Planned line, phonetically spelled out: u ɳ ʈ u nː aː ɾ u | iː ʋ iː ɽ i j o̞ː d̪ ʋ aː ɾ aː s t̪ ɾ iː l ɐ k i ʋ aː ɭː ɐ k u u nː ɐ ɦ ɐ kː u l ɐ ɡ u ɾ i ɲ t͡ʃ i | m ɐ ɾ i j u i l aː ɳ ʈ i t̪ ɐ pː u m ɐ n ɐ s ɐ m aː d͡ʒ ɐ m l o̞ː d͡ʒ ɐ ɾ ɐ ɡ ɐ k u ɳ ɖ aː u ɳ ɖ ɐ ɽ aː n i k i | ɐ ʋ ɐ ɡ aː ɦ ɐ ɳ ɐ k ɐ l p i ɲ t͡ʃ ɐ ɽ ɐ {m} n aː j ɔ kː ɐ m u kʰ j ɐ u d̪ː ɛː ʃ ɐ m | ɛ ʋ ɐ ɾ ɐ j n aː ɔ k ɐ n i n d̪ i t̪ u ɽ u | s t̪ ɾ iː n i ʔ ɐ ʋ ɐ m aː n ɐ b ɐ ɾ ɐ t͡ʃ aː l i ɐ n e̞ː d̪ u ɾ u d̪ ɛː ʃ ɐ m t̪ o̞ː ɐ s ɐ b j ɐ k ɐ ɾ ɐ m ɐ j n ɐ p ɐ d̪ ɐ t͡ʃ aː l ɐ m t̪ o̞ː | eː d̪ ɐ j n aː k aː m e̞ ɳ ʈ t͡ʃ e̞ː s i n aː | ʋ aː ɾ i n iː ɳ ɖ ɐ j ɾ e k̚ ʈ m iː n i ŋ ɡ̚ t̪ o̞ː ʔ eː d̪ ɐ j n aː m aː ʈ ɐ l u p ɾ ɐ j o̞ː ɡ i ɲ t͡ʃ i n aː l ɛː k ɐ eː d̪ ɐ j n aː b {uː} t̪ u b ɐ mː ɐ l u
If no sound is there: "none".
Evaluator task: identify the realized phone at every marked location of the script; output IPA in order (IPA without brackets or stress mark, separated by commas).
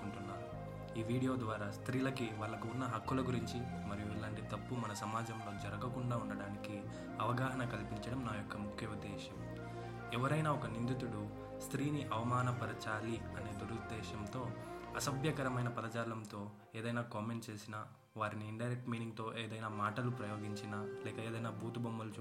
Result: m, uː